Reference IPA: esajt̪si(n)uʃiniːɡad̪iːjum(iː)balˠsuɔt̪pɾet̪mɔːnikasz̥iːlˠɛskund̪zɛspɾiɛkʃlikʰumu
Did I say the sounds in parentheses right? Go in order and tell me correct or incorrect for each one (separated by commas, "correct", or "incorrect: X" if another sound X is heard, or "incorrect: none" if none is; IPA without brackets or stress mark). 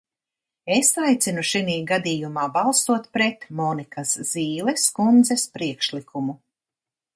correct, incorrect: aː